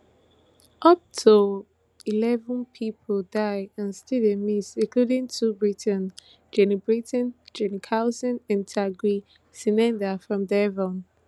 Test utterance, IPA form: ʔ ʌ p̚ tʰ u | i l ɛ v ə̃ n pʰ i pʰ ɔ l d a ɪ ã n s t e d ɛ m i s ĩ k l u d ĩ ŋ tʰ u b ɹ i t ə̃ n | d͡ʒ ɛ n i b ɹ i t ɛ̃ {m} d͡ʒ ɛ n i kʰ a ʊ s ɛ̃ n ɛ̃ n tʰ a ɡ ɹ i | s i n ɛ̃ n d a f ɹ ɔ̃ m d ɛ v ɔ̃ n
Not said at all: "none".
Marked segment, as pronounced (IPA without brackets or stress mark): n